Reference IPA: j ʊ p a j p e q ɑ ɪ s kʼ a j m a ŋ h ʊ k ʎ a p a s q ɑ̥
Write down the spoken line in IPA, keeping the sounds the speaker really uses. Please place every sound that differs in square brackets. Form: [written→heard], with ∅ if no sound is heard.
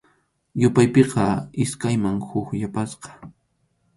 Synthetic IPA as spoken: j ʊ p a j p e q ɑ ɪ s [kʼ→k] a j m a ŋ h ʊ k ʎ a p a s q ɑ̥